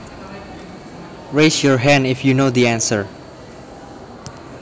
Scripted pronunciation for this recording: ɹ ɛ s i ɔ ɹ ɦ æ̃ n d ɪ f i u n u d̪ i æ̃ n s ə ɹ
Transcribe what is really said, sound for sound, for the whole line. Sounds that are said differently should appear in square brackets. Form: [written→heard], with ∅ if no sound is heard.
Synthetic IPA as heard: ɹ [ɛ→e] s [i→j] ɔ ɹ ɦ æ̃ n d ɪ f [i→j] u n [u→o] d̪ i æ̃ n s ə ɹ